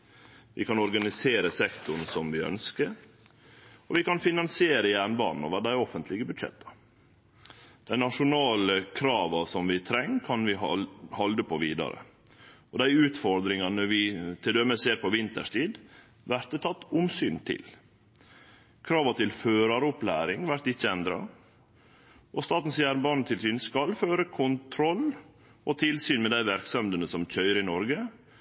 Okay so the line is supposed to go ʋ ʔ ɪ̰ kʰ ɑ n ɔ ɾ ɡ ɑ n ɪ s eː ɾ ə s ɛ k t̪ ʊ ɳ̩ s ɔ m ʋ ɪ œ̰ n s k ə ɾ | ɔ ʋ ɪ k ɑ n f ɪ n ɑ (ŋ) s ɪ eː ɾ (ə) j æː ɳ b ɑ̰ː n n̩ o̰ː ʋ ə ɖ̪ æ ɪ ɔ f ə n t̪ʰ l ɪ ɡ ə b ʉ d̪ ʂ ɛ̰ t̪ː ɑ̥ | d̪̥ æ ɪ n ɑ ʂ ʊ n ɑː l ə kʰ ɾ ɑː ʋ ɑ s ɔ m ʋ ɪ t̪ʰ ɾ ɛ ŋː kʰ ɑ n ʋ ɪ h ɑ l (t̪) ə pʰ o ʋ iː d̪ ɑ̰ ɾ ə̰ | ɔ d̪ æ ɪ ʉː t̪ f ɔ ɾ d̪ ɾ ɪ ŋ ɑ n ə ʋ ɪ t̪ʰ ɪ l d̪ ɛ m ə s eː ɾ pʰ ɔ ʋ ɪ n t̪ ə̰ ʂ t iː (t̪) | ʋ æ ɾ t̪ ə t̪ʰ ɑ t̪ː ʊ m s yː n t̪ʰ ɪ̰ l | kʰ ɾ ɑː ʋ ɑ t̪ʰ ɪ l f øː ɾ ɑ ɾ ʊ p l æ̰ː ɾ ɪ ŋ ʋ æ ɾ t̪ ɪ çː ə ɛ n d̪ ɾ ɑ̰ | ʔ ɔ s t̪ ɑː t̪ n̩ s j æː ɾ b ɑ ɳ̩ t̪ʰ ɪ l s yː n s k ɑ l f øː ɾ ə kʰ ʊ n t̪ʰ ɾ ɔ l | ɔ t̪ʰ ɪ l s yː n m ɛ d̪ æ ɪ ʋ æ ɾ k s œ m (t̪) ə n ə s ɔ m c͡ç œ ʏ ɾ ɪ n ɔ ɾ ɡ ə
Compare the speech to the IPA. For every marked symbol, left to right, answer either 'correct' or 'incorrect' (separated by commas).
incorrect, correct, incorrect, incorrect, incorrect